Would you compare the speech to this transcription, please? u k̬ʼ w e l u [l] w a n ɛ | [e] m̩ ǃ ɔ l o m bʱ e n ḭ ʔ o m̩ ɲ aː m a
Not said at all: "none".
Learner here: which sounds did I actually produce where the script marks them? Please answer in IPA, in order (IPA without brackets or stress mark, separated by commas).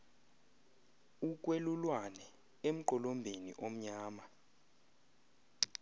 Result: l, e